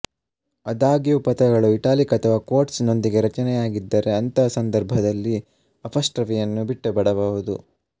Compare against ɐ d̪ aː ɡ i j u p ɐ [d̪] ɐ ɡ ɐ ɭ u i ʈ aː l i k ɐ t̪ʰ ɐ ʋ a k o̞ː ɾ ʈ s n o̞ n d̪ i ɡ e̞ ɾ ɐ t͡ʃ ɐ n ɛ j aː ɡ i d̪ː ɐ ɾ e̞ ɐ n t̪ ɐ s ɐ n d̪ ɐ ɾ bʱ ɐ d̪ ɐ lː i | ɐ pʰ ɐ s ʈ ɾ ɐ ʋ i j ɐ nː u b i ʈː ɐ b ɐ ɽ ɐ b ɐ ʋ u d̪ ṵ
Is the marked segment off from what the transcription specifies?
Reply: yes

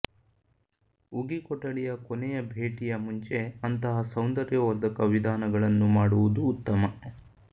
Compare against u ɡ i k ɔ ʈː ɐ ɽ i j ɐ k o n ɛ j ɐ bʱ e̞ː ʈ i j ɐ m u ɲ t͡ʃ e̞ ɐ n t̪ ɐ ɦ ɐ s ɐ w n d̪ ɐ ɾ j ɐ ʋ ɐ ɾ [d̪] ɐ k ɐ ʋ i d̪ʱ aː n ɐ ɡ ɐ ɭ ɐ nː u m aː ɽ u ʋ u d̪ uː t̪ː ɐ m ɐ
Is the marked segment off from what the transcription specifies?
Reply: no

